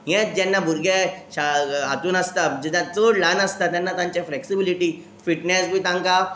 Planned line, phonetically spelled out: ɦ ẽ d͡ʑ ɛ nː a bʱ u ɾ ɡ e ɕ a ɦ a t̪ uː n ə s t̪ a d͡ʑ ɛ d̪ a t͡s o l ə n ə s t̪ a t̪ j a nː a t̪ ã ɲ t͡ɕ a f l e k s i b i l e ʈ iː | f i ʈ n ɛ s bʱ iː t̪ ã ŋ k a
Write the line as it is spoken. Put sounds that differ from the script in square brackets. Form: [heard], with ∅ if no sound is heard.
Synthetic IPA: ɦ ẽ d͡ʑ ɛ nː a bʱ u ɾ ɡ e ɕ a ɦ a t̪ uː n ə s t̪ a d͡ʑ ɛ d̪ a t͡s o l [a] n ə s t̪ a t̪ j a nː a t̪ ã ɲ t͡ɕ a f l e k s i b i l [i] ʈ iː | f i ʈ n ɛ s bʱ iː t̪ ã ŋ k a